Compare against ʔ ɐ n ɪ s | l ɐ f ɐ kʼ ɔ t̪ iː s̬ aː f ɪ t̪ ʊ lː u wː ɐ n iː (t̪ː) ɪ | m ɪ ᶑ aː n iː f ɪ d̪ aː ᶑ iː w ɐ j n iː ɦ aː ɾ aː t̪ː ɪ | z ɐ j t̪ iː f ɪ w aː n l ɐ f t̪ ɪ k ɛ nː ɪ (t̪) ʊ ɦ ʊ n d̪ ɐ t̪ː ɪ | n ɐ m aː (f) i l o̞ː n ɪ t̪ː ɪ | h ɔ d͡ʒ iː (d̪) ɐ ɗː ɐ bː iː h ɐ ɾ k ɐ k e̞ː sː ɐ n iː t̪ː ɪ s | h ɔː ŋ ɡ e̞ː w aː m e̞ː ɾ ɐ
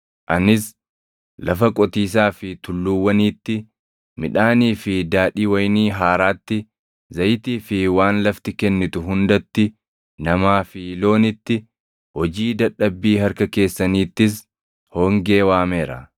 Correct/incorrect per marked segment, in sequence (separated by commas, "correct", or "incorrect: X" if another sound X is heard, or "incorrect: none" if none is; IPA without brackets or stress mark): correct, correct, correct, correct